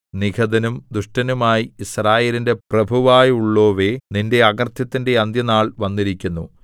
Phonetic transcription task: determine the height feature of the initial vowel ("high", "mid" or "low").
high